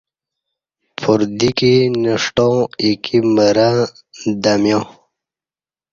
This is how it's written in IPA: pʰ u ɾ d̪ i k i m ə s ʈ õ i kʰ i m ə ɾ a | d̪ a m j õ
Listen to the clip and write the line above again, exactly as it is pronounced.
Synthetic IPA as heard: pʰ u ɾ d̪ i k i n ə ʂ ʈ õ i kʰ i m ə ɾ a | d̪ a m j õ